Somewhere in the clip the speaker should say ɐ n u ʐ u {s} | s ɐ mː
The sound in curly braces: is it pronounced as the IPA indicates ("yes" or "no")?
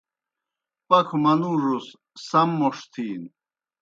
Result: yes